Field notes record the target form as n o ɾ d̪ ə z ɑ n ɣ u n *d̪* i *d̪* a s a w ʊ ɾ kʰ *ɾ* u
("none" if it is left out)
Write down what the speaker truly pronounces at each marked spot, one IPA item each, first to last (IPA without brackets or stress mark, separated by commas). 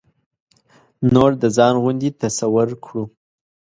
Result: d̪, t̪, ɽ